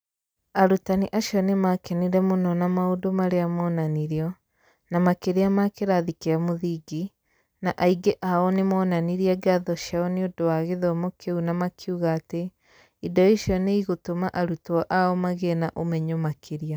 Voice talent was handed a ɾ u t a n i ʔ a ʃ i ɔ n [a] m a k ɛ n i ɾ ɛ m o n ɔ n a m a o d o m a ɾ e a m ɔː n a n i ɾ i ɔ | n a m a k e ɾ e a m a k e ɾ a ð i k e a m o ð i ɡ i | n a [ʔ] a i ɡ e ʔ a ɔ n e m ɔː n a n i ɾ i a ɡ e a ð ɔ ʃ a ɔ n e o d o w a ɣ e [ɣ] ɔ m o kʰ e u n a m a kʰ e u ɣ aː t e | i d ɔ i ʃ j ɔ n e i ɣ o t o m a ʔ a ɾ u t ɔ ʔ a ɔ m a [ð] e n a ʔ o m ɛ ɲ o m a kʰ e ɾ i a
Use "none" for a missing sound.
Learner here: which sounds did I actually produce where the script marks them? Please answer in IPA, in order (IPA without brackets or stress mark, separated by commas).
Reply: e, ʔ, ð, ɣ